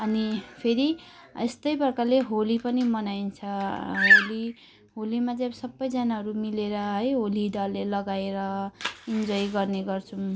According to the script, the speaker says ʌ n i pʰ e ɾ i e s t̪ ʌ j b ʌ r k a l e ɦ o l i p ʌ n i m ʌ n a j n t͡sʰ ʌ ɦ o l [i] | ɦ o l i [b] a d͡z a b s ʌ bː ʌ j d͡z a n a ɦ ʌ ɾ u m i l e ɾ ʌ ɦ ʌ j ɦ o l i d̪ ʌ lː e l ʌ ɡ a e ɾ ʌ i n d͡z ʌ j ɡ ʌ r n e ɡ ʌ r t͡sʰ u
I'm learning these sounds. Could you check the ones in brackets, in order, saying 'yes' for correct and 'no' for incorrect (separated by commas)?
yes, no